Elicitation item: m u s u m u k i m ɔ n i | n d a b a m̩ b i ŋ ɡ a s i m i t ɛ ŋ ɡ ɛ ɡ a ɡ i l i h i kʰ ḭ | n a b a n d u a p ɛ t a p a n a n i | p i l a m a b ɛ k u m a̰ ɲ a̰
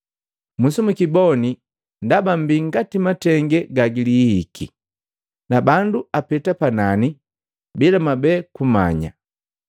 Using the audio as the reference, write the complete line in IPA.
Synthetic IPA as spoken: m u s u m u k i b ɔ n i | n d a b a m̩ b i ŋ ɡ a t i m a t ɛ ŋ ɡ ɛ ɡ a ɡ i l i h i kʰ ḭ | n a b a n d u a p ɛ t a p a n a n i | b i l a m a b ɛ k u m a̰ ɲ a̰